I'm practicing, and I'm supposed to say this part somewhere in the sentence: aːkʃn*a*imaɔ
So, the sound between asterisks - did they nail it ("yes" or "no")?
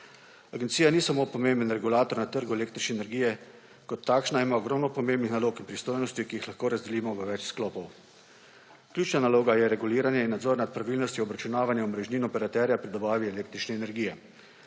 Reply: yes